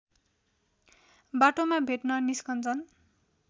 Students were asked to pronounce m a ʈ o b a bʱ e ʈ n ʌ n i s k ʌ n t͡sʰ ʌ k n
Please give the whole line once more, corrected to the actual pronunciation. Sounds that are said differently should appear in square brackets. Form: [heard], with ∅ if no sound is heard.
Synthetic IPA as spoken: [b] a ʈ o [m] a bʱ e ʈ n ʌ n i s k ʌ n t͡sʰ ʌ [∅] n